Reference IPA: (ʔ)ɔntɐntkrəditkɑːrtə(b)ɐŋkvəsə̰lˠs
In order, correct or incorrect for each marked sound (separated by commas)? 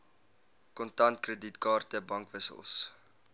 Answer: incorrect, correct